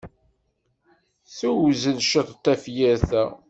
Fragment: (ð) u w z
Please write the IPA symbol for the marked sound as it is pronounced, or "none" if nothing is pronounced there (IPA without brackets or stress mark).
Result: θ